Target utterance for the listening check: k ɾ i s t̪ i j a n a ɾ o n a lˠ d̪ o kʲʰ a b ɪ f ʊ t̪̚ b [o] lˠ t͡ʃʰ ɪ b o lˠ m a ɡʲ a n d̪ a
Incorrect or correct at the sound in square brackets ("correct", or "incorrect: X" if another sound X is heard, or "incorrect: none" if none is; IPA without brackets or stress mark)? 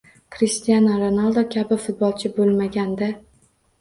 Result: incorrect: ɒ